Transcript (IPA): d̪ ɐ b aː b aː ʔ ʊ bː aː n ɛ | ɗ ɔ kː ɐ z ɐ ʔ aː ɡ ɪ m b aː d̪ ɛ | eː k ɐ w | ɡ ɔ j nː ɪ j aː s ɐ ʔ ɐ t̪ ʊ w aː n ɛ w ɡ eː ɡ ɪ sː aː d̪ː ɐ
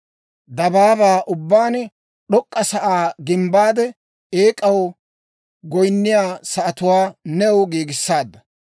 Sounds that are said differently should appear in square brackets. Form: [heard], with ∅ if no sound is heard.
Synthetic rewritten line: d̪ ɐ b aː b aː ʔ ʊ bː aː n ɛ | ɗ ɔ [kʼː] ɐ [s] ɐ ʔ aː ɡ ɪ m b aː d̪ ɛ | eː [kʼ] ɐ w | ɡ ɔ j nː ɪ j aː s ɐ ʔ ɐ t̪ ʊ w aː n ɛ w ɡ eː ɡ ɪ sː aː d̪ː ɐ